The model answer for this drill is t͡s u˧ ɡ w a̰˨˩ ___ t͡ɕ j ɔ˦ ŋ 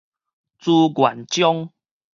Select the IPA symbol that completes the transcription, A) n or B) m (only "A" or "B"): A